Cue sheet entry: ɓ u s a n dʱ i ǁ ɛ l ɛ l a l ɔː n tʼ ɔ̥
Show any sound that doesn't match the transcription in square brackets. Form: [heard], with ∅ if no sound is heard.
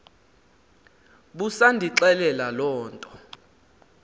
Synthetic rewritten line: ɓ u s a n dʱ i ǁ ɛ l ɛ l a l ɔː n tʼ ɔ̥